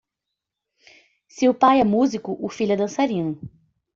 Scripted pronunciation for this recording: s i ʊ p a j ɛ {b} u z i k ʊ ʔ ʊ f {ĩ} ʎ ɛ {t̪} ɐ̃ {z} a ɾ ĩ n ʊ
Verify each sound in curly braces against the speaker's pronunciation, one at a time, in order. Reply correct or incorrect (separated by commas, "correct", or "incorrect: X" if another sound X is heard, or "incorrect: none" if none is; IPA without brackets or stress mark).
incorrect: m, incorrect: i, incorrect: d̪, incorrect: s